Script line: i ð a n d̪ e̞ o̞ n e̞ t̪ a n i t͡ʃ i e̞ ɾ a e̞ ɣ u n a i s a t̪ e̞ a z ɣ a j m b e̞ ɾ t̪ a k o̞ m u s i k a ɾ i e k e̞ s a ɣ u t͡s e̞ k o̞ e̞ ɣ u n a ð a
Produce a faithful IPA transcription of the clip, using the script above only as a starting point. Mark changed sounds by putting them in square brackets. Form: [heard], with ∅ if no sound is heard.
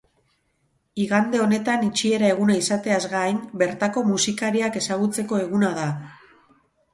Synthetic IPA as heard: i [ɣ] a n d̪ e̞ o̞ n e̞ t̪ a n i t͡ʃ i e̞ ɾ a e̞ ɣ u n a i s a t̪ e̞ a z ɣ a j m b e̞ ɾ t̪ a k o̞ m u s i k a ɾ i [a] k e̞ s a ɣ u t͡s e̞ k o̞ e̞ ɣ u n a ð a

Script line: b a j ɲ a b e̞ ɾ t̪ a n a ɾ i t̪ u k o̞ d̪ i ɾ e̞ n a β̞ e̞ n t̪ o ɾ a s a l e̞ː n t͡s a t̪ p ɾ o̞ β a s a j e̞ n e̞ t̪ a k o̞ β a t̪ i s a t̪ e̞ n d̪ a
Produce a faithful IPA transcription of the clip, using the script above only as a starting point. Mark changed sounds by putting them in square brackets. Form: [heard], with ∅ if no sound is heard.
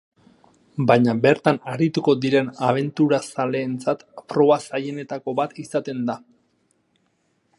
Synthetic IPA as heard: b a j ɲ a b e̞ ɾ t̪ a n a ɾ i t̪ u k o̞ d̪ i ɾ e̞ n a β̞ e̞ n t̪ [u] ɾ a s a l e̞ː n t͡s a t̪ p ɾ o̞ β a s a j e̞ n e̞ t̪ a k o̞ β a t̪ i s a t̪ e̞ n d̪ a

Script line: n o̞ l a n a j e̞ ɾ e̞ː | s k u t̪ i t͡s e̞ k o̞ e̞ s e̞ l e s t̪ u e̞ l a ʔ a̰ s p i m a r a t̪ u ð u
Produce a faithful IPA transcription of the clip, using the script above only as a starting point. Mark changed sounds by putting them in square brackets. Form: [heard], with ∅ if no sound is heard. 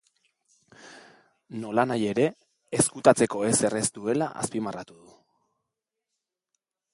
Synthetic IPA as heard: n o̞ l a n a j e̞ ɾ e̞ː | s k u t̪ [a] t͡s e̞ k o̞ e̞ s e̞ [r] e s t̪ u e̞ l a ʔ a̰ s p i m a r a t̪ u ð u

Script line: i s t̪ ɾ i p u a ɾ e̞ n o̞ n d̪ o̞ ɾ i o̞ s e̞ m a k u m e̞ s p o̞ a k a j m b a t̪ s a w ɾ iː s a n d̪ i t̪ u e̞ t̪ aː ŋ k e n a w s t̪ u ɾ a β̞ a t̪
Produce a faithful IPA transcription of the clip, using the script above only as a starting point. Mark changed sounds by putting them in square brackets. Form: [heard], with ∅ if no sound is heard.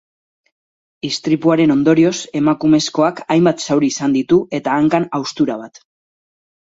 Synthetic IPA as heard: i s t̪ ɾ i p u a ɾ e̞ n o̞ n d̪ o̞ ɾ i o̞ s e̞ m a k u m e̞ s [k] o̞ a k a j m b a t̪ s a w ɾ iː s a n d̪ i t̪ u e̞ t̪ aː ŋ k [a] n a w s t̪ u ɾ a β̞ a t̪

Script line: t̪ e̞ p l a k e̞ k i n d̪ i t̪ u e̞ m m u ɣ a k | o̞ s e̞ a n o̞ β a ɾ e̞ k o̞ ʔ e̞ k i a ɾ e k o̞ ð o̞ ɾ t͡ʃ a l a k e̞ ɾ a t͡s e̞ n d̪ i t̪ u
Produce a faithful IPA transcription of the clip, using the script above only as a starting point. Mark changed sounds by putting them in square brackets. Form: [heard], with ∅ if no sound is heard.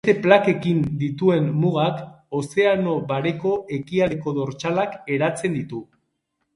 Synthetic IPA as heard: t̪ e̞ p l a k e̞ k i n d̪ i t̪ u e̞ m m u ɣ a k | o̞ s e̞ a n o̞ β a ɾ e̞ k o̞ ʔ e̞ k i a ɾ e k o̞ ð o̞ ɾ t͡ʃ a l a k e̞ ɾ a t͡s e̞ n d̪ i t̪ u

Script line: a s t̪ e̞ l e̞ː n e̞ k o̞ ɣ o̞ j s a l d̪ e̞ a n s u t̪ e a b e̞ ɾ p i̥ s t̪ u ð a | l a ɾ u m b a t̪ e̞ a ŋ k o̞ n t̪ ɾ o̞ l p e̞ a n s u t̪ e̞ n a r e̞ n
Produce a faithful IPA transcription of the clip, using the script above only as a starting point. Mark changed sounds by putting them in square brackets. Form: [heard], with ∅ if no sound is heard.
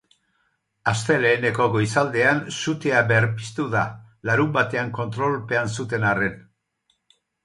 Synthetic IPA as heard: a s t̪ e̞ l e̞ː n e̞ k o̞ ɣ o̞ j s a l d̪ e̞ a n s u t̪ e a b e̞ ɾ p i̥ s t̪ u ð a | l a ɾ u m b a t̪ e̞ a ŋ k o̞ n t̪ ɾ o̞ l p e̞ a n s u t̪ e̞ n a r e̞ n

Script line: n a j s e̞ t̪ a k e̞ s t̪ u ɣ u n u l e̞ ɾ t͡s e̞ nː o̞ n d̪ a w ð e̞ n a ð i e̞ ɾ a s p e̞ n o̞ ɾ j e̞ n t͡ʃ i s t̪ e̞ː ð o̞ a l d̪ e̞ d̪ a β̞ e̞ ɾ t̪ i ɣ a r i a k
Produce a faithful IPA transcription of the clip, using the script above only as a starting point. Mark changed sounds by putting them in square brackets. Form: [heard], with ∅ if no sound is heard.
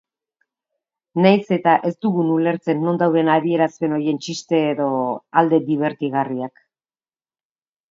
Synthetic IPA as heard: n a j s e̞ t̪ a [ʔ] e̞ s t̪ u ɣ u n u l e̞ ɾ t͡s e̞ nː o̞ n d̪ a w ð e̞ n a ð i e̞ ɾ a s p e̞ n o̞ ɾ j e̞ n t͡ʃ i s t̪ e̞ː ð o̞ a l d̪ e̞ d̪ [i] β̞ e̞ ɾ t̪ i ɣ a r i a k

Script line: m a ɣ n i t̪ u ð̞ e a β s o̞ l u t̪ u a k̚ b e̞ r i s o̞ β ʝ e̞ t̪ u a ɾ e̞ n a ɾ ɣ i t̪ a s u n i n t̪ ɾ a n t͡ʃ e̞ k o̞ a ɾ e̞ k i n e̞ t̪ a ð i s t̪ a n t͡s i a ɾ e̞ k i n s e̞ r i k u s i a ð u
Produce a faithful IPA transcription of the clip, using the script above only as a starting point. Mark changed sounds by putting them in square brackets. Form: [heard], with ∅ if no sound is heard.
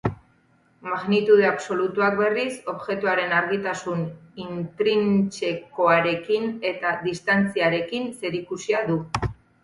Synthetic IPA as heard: m a ɣ n i t̪ u ð̞ e a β s o̞ l u t̪ u a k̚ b e̞ r i s o̞ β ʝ e̞ t̪ u a ɾ e̞ n a ɾ ɣ i t̪ a s u n i n t̪ ɾ [i] n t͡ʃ e̞ k o̞ a ɾ e̞ k i n e̞ t̪ a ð i s t̪ a n t͡s i a ɾ e̞ k i n s e̞ [ɾ] i k u s i a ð u

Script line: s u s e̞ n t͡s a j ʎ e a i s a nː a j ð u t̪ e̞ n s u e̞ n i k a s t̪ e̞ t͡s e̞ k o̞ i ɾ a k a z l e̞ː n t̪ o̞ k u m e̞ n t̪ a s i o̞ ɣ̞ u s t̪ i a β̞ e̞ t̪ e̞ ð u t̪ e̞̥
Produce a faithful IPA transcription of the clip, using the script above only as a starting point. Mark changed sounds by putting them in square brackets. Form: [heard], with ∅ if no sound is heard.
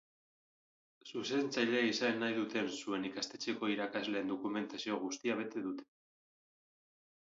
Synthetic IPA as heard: s u s e̞ n t͡s a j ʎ e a i s a nː a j ð u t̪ e̞ n s u e̞ n i k a s t̪ e̞ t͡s e̞ k o̞ i ɾ a k a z l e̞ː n [d̪] o̞ k u m e̞ n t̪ a s i o̞ ɣ̞ u s t̪ i a β̞ e̞ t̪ e̞ ð u t̪ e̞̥

